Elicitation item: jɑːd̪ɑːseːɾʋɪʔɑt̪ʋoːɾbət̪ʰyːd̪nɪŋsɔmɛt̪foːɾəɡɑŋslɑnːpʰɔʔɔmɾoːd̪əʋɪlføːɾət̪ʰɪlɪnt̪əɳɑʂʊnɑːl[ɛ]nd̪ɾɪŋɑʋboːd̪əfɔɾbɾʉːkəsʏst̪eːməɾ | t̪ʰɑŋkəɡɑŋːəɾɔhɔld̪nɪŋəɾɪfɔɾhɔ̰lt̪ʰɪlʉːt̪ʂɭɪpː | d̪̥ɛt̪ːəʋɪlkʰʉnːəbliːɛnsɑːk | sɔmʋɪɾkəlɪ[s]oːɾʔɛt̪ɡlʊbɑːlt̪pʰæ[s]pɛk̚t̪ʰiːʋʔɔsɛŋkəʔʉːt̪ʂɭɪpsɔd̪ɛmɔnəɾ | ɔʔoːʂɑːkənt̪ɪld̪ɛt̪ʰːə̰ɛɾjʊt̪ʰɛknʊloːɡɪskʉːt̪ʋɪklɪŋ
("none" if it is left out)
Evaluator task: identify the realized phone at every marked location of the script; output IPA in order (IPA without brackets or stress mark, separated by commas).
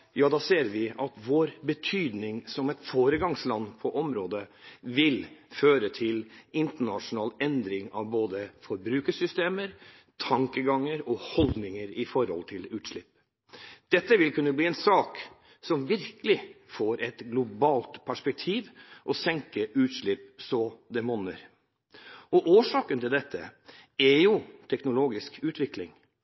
ɛ, f, ʂ